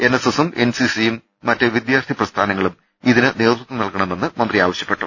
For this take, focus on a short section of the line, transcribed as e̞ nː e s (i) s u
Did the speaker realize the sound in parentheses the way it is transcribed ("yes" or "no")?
no